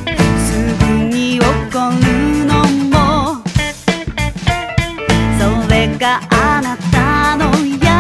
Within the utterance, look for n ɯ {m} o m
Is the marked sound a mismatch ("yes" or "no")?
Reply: yes